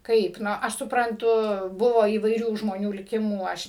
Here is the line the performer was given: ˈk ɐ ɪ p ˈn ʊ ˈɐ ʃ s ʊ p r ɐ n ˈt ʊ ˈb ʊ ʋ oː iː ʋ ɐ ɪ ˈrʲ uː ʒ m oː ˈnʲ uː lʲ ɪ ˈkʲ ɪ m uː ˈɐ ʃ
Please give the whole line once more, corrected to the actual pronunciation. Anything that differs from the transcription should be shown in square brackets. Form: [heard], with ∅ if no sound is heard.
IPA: ˈk ɐ ɪ p ˈn ʊ ˈɐ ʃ s ʊ p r ɐ n ˈt ʊ ˈb ʊ ʋ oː iː ʋ ɐ ɪ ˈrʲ uː ʒ m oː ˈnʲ uː lʲ ɪ ˈkʲ ɪ m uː ˈɐ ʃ